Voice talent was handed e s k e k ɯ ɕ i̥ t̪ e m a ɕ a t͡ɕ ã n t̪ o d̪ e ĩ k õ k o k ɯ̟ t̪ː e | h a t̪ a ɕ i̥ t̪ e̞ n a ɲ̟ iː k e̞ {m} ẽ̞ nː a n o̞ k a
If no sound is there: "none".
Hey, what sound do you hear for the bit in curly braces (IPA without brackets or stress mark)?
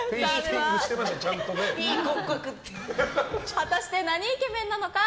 m